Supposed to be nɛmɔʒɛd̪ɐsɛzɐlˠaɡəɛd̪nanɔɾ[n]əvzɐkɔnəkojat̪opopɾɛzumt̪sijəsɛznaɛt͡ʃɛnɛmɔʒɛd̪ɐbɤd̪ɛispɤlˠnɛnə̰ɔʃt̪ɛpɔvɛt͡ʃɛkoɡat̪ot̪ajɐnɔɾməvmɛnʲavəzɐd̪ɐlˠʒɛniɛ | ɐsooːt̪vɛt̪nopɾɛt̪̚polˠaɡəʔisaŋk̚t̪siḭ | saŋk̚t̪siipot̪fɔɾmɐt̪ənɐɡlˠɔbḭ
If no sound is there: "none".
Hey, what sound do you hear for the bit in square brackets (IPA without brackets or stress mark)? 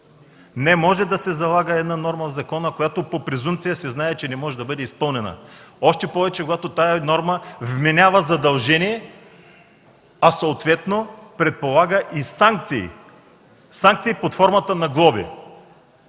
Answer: m